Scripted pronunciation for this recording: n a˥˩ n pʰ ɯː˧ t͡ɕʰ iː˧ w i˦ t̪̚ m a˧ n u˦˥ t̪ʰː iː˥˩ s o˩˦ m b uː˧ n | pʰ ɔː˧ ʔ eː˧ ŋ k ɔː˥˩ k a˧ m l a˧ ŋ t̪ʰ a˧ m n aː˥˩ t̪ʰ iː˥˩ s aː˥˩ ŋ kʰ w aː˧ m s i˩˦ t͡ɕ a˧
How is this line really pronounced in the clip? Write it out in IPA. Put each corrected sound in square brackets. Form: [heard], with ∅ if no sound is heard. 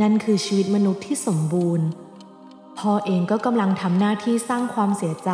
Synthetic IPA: n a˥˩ n [kʰ] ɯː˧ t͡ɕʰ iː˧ w i˦ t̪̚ m a˧ n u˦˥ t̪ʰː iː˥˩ s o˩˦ m b uː˧ n | pʰ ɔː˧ ʔ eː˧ ŋ k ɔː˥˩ k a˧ m l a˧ ŋ t̪ʰ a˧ m n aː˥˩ t̪ʰ iː˥˩ s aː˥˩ ŋ kʰ w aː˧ m s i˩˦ t͡ɕ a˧